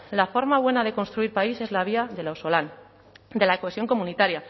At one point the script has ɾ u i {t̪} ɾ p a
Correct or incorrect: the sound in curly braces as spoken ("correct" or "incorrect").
incorrect